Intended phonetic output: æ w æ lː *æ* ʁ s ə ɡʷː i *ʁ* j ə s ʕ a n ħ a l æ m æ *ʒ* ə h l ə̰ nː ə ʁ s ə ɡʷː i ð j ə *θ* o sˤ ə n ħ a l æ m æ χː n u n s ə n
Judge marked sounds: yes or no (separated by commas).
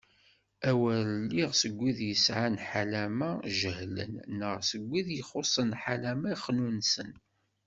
no, no, yes, no